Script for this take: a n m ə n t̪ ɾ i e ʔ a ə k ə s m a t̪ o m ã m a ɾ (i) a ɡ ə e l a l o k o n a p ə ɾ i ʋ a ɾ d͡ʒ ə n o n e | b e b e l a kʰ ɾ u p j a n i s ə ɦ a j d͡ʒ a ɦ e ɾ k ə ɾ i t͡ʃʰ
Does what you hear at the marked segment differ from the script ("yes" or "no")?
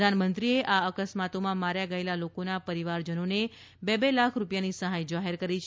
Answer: yes